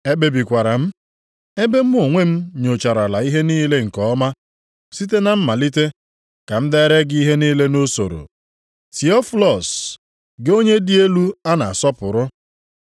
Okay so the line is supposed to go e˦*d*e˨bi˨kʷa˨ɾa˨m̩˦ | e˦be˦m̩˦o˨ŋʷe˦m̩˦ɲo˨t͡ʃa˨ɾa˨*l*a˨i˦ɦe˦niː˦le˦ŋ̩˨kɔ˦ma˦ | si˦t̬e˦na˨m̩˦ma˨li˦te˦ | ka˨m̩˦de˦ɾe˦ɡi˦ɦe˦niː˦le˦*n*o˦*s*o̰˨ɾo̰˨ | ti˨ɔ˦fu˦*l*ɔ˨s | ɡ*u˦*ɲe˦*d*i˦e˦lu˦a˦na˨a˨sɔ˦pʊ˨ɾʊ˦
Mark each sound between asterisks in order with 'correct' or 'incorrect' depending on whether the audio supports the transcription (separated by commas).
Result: incorrect, correct, correct, correct, correct, incorrect, correct